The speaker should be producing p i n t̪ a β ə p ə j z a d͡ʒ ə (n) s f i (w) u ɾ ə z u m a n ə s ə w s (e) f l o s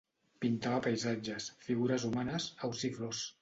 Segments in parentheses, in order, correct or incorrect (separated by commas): incorrect, incorrect, incorrect